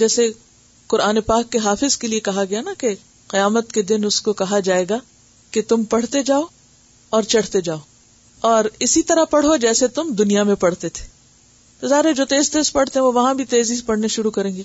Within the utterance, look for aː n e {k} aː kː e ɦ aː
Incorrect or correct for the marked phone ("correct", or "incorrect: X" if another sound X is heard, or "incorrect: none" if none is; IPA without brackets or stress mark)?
incorrect: p